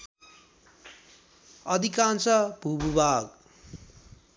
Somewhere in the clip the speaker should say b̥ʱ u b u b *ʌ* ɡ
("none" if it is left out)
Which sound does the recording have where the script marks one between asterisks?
a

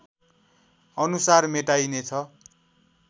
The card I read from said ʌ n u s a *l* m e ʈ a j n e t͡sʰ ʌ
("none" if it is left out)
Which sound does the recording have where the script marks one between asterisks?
r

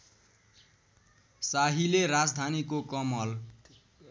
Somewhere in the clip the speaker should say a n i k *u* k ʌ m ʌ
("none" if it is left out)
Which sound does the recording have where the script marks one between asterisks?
o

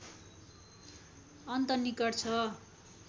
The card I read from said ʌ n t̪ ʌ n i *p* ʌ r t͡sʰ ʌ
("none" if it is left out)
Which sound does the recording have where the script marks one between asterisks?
k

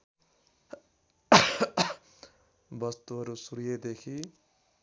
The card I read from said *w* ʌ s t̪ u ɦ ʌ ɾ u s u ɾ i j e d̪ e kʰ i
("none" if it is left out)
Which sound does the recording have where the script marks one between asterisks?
b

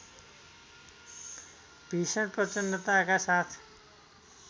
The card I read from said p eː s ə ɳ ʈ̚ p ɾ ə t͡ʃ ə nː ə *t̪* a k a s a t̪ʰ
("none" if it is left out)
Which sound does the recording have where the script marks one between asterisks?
t̪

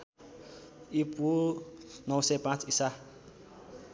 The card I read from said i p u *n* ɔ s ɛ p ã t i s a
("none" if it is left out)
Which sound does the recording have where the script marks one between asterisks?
n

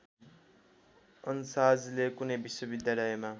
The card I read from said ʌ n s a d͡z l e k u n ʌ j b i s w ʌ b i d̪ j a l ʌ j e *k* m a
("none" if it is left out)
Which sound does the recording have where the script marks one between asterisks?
none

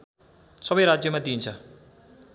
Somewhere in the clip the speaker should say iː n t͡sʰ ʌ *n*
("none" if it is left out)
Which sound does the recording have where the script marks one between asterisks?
none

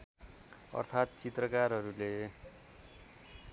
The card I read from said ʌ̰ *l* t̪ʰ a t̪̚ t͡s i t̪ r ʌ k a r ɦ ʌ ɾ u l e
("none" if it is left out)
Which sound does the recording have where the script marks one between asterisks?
r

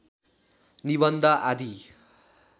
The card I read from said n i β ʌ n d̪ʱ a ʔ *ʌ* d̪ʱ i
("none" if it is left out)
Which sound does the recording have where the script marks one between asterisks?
a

